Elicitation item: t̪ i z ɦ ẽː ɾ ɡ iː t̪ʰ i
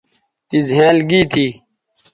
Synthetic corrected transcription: t̪ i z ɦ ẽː l ɡ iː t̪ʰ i